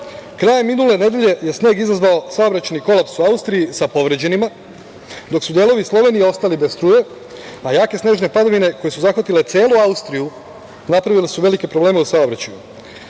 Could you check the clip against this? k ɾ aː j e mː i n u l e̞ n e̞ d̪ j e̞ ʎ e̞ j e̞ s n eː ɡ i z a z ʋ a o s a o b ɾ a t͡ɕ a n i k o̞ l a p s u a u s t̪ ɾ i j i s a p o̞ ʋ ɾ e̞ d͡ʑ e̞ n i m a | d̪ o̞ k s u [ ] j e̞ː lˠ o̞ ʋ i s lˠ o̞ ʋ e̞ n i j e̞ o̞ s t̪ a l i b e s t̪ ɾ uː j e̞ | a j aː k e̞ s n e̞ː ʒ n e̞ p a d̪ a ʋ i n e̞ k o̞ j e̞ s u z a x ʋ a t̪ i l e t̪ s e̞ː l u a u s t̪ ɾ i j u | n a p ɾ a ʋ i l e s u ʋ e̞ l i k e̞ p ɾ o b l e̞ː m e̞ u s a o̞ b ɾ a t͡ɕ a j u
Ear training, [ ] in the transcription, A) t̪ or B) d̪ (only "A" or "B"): B